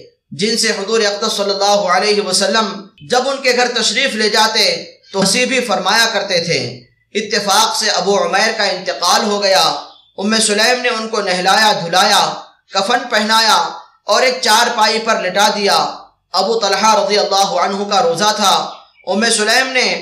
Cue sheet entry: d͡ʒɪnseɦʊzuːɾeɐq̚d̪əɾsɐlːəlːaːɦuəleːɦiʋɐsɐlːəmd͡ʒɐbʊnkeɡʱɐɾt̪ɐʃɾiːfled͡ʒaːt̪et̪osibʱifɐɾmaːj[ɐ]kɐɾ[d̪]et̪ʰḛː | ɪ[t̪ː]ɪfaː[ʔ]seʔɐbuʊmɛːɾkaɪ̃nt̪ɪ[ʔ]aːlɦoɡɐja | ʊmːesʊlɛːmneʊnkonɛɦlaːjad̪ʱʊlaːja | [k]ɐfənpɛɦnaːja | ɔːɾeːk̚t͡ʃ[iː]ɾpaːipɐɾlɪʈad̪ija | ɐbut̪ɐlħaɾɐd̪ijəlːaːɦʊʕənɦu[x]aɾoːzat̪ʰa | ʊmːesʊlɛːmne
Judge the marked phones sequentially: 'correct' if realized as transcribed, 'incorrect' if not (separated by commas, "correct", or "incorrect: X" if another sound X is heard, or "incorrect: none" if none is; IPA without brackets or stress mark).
incorrect: a, incorrect: t̪, correct, incorrect: q, incorrect: q, correct, incorrect: aː, incorrect: k